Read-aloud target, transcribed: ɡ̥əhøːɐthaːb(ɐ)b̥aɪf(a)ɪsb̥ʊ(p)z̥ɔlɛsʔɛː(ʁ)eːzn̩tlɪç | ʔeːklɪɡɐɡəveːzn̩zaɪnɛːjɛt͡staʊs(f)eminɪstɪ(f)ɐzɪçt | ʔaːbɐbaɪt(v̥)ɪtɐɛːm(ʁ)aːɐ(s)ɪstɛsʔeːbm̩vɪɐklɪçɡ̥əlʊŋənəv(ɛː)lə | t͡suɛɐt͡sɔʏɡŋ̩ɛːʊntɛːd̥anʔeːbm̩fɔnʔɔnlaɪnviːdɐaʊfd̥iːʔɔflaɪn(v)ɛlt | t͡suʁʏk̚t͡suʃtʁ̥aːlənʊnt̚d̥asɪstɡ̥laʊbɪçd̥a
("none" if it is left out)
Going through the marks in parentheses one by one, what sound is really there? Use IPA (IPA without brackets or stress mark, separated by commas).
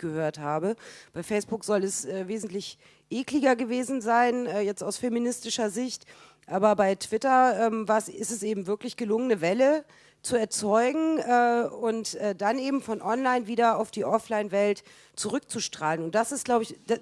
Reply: ə, ɛ, k, v, f, ʃ, v̥, v, s, ɛ, v